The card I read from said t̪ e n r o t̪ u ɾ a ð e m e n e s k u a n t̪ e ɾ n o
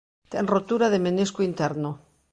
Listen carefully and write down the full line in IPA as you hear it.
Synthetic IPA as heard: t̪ e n r o t̪ u ɾ a ð e m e n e s k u i n t̪ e ɾ n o